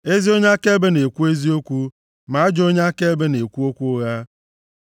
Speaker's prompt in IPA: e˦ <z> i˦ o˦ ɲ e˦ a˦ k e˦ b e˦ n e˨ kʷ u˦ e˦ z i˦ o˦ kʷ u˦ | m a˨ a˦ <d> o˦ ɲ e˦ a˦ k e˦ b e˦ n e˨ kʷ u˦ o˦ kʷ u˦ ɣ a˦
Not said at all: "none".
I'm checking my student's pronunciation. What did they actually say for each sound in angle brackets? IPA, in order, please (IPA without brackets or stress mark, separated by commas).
z, d͡ʒ